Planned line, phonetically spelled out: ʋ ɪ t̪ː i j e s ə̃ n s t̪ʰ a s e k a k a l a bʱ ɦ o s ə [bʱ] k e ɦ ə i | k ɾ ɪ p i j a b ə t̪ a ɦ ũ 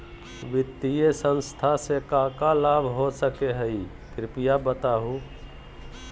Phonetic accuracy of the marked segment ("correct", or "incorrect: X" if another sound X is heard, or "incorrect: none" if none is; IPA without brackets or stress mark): incorrect: none